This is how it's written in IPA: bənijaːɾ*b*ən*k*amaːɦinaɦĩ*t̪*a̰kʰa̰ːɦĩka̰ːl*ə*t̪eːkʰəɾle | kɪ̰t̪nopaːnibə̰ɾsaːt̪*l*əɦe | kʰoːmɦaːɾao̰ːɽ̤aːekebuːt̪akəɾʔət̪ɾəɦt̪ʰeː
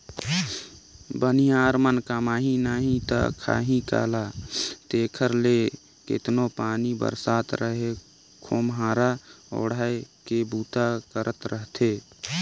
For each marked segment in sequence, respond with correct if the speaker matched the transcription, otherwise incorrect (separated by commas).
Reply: incorrect, correct, correct, incorrect, incorrect